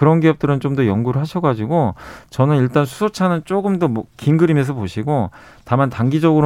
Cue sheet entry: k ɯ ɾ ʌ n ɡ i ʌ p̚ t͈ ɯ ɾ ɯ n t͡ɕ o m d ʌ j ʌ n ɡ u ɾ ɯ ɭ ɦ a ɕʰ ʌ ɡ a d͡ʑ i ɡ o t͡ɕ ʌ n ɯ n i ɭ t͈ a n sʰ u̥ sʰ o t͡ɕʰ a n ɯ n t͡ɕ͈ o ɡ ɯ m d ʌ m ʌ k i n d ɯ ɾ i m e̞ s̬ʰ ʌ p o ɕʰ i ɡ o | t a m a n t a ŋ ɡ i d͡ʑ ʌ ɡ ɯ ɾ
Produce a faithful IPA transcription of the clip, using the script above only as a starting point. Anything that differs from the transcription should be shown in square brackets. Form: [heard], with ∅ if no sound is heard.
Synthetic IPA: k ɯ ɾ ʌ n ɡ i ʌ p̚ t͈ ɯ ɾ ɯ n t͡ɕ o m d ʌ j ʌ [ŋ] ɡ u ɾ ɯ ɭ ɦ a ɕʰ ʌ ɡ a d͡ʑ i ɡ o t͡ɕ ʌ n ɯ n i ɭ t͈ a n sʰ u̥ sʰ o t͡ɕʰ a n ɯ n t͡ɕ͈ o ɡ ɯ m d ʌ m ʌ k i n [ɡ] ɯ ɾ i m e̞ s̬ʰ ʌ p o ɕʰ i ɡ o | t a m a n t a ŋ ɡ i d͡ʑ ʌ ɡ ɯ ɾ